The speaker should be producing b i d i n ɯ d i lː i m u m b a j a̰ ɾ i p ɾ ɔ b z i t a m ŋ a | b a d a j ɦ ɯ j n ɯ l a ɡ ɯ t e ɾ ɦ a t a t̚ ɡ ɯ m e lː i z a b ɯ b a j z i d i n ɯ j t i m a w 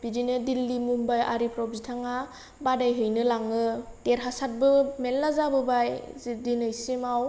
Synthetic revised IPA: b i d i n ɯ d i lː i m u m b a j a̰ ɾ i p ɾ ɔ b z i tʰ a ŋ a | b a d a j ɦ ɯ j n ɯ l a ŋ ɯ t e ɾ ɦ a s a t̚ b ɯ m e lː a z a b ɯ b a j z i d i n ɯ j s i m a w